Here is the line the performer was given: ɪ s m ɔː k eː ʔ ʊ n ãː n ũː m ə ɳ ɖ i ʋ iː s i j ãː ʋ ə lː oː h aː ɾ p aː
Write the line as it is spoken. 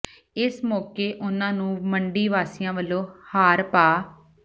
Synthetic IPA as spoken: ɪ s m ɔː k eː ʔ ʊ n ãː n ũː m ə ɳ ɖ iː ʋ aː s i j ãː ʋ ə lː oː h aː ɾ p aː